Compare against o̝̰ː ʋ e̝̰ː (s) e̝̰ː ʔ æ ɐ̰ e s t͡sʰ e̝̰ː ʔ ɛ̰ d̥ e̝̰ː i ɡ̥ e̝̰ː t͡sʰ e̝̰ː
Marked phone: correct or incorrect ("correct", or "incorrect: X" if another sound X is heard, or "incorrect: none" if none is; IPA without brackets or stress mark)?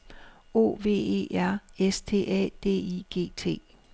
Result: incorrect: none